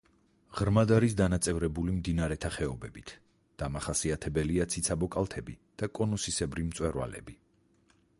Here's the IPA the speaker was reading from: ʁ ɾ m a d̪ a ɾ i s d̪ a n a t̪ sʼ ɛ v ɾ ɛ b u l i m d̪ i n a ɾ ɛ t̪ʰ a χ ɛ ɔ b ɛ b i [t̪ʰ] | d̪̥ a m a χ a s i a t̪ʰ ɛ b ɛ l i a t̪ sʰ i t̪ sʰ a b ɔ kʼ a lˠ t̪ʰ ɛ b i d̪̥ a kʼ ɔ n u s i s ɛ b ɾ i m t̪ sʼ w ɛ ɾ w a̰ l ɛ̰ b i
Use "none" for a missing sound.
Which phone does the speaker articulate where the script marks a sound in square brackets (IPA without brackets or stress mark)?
t̪ʰ